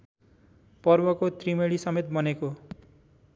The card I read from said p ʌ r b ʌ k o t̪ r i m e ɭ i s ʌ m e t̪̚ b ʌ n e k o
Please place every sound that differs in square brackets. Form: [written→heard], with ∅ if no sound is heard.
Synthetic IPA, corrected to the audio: p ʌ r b ʌ k o t̪ r i m e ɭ i s ʌ m e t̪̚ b ʌ n e k o